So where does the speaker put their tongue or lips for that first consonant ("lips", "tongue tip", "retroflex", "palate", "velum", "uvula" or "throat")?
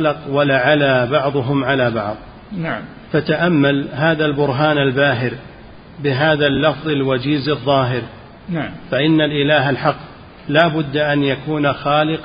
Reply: tongue tip